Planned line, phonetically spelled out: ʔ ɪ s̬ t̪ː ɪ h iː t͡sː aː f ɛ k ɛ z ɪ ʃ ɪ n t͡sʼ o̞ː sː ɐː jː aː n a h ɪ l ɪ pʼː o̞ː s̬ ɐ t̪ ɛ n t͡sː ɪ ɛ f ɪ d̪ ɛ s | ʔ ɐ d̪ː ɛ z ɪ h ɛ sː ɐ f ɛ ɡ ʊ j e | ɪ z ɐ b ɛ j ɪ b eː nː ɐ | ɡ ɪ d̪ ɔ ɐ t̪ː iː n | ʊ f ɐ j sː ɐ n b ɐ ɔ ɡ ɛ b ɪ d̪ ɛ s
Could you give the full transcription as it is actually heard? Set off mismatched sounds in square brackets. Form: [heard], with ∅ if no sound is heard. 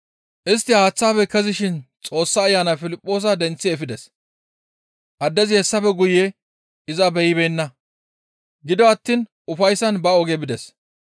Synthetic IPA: ʔ ɪ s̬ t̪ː ɪ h [aː] t͡sː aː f ɛ k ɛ z ɪ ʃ ɪ n t͡sʼ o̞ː sː ɐː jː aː n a [f] ɪ l ɪ pʼː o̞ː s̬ ɐ [d̪] ɛ n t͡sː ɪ ɛ f ɪ d̪ ɛ s | ʔ ɐ d̪ː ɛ z ɪ h ɛ sː ɐ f ɛ ɡ ʊ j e | ɪ z ɐ b ɛ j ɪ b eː nː ɐ | ɡ ɪ d̪ ɔ ɐ t̪ː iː n | ʊ f ɐ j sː ɐ n b ɐ ɔ ɡ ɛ b ɪ d̪ ɛ s